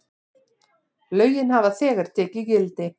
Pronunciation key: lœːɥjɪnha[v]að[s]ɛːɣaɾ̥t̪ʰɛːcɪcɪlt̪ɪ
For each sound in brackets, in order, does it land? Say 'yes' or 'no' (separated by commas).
yes, no